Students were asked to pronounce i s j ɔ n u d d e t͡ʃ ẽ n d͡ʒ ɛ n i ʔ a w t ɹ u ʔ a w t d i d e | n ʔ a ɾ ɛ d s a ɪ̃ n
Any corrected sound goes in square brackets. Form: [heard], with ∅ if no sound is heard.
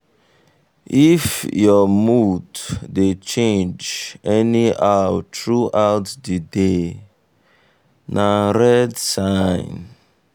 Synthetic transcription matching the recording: i [f] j ɔ [m] u d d e t͡ʃ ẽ n d͡ʒ ɛ n i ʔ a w t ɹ u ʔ a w t d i d e | n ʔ a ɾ ɛ d s a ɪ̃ n